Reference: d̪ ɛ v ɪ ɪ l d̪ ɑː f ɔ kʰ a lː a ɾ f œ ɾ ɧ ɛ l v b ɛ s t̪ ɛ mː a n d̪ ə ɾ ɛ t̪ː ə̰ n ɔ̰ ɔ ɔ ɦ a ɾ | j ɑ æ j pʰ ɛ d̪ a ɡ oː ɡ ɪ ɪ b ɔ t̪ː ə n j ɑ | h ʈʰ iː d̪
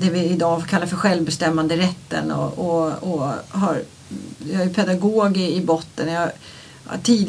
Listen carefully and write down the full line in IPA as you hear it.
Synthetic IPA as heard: d̪ ɛ v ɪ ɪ d̪ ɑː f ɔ kʰ a lː a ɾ f œ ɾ ɧ ɛ l v b ɛ s t̪ ɛ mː a n d̪ ə ɾ ɛ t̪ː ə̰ n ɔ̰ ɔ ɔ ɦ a ɾ | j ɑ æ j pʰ ɛ d̪ a ɡ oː ɡ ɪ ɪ b ɔ t̪ː ə n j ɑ | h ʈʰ iː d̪